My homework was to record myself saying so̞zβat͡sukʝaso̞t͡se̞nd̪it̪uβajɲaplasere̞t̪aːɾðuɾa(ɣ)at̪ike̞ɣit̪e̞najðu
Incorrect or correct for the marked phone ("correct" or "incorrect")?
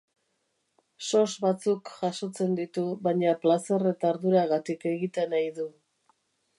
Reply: correct